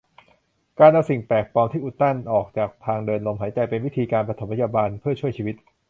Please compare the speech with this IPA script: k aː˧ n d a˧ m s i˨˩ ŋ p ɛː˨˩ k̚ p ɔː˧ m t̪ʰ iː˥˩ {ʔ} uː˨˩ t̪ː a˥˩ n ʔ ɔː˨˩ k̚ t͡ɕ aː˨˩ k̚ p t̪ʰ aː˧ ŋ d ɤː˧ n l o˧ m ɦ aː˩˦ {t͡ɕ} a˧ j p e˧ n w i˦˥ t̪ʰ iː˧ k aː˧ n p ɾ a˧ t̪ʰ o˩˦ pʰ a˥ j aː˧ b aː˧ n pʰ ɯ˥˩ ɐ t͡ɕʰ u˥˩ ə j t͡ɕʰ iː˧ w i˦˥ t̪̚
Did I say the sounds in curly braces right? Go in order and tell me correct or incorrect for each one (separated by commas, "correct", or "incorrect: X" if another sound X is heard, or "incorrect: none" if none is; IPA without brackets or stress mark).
correct, correct